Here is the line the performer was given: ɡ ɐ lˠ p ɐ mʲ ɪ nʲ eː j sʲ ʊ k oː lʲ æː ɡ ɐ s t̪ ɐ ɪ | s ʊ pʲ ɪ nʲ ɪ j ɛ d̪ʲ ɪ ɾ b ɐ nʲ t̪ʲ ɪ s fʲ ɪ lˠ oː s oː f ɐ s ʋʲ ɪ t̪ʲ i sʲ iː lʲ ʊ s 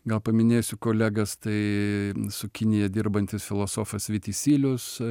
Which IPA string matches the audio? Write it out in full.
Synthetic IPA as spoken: ɡ ɐ lˠ p ɐ mʲ ɪ nʲ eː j sʲ ʊ k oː lʲ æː ɡ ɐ s t̪ ɐ ɪ | s ʊ kʲ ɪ nʲ ɪ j ɛ d̪ʲ ɪ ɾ b ɐ nʲ t̪ʲ ɪ s fʲ ɪ lˠ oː s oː f ɐ s ʋʲ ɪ t̪ʲ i sʲ iː lʲ ʊ s

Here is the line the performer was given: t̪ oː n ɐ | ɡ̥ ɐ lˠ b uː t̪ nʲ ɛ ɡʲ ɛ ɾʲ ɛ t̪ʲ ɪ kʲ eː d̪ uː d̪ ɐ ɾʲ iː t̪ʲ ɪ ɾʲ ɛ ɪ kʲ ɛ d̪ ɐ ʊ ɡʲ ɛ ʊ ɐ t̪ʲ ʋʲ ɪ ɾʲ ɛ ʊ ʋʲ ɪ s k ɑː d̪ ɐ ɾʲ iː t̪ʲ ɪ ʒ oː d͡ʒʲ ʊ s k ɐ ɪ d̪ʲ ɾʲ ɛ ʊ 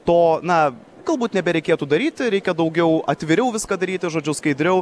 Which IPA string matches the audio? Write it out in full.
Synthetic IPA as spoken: t̪ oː n ɐ | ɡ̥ ɐ lˠ b uː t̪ nʲ ɛ bʲ ɛ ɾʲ ɛ ɪ kʲ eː t̪ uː d̪ ɐ ɾʲ iː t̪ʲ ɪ ɾʲ ɛ ɪ kʲ ɛ d̪ ɐ ʊ ɡʲ ɛ ʊ ɐ t̪ʲ ʋʲ ɪ ɾʲ ɛ ʊ ʋʲ ɪ s k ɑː d̪ ɐ ɾʲ iː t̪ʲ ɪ ʒ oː d͡ʒʲ ʊ s k ɐ ɪ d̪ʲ ɾʲ ɛ ʊ

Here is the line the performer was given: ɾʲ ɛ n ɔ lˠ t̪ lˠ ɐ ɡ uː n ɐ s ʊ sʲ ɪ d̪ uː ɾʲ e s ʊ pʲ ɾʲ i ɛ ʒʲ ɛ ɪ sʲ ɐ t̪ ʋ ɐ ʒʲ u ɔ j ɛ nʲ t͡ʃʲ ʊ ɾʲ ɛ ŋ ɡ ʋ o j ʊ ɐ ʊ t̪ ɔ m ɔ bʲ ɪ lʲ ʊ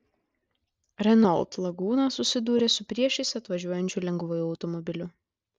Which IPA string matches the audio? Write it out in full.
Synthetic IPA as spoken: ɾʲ ɛ n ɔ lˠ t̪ lˠ ɐ ɡ uː n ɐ s ʊ sʲ ɪ d̪ uː ɾʲ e s ʊ pʲ ɾʲ i ɛ ʃʲ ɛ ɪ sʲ ɐ t̪ ʋ ɐ ʒʲ u ɔ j ɛ nʲ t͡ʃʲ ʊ lʲ ɛ ŋ ɡ ʋ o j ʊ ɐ ʊ t̪ ɔ m ɔ bʲ ɪ lʲ ʊ

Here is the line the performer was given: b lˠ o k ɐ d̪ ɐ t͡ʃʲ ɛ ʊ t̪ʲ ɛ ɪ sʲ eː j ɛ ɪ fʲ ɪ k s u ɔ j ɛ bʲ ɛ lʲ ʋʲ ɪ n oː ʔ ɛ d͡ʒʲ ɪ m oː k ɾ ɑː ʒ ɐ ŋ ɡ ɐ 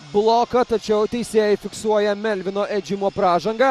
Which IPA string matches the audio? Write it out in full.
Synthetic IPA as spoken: b lˠ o k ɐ t̪ ɐ t͡ʃʲ ɛ ʊ t̪ʲ ɛ ɪ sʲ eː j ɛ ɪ fʲ ɪ k s u ɔ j ɛ mʲ ɛ lʲ ʋʲ ɪ n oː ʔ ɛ d͡ʒʲ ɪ m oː p ɾ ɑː ʒ ɐ ŋ ɡ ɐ

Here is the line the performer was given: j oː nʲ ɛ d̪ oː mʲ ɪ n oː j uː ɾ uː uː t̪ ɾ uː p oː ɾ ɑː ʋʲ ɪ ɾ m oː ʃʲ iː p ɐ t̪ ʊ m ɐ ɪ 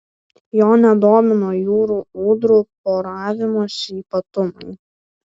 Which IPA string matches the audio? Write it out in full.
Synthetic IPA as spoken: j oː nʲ ɛ d̪ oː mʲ ɪ n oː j uː ɾ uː uː d̪ ɾ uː p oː ɾ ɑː ʋʲ ɪ m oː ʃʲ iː p ɐ t̪ ʊ m ɐ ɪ

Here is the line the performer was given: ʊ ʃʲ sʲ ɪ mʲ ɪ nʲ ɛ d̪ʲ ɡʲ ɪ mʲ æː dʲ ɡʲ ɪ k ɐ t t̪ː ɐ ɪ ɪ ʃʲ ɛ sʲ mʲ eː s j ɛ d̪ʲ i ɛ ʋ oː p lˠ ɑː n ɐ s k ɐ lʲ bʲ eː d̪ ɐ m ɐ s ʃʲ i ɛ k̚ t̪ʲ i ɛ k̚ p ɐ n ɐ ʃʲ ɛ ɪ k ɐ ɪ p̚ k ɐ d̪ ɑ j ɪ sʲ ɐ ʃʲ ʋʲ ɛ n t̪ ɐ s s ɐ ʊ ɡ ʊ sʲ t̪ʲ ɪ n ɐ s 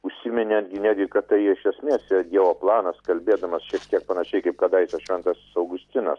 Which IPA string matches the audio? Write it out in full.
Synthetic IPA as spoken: ʊ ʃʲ sʲ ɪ mʲ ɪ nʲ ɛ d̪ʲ ɡʲ ɪ nʲ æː dʲ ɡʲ ɪ k ɐ t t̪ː ɐ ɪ ɪ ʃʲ ɛ sʲ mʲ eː s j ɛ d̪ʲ i ɛ ʋ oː p lˠ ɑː n ɐ s k ɐ lʲ bʲ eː d̪ ɐ m ɐ s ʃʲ i ɛ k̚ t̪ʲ i ɛ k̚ p ɐ n ɐ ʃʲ ɛ ɪ k ɐ ɪ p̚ k ɐ d̪ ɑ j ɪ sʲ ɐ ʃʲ ʋʲ ɛ n t̪ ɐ s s ɐ ʊ ɡ ʊ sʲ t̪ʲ ɪ n ɐ s

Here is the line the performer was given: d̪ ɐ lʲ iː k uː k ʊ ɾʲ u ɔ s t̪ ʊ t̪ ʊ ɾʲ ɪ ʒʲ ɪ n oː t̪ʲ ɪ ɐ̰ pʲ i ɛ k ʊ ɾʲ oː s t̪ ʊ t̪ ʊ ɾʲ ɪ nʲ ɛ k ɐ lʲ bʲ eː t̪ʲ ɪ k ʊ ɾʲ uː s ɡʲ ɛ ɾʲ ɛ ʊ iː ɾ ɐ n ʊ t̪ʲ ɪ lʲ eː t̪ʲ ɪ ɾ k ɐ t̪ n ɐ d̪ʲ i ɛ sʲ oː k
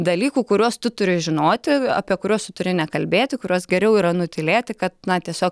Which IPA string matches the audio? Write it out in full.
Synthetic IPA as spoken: d̪ ɐ lʲ iː k uː k ʊ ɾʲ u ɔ s t̪ ʊ t̪ ʊ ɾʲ ɪ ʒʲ ɪ n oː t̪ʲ ɪ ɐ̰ pʲ i ɛ k ʊ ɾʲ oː s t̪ ʊ t̪ ʊ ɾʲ ɪ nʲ ɛ k ɐ lʲ bʲ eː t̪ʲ ɪ k ʊ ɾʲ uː s ɡʲ ɛ ɾʲ ɛ ʊ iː ɾ ɐ n ʊ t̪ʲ ɪ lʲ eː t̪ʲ ɪ k ɐ t̪ n ɐ t̪ʲ i ɛ sʲ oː k

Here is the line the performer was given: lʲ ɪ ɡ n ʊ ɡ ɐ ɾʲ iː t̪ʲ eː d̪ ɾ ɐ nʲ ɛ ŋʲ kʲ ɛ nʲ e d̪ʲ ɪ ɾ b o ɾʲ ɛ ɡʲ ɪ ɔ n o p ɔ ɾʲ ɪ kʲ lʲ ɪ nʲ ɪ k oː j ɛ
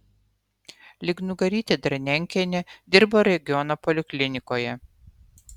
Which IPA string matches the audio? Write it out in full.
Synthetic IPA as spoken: lʲ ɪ ɡ n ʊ ɡ ɐ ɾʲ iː t̪ʲ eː d̪ ɾ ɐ nʲ ɛ ŋʲ kʲ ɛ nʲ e d̪ʲ ɪ ɾ b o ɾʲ ɛ ɡʲ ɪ ɔ n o p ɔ lʲ ɪ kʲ lʲ ɪ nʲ ɪ k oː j ɛ

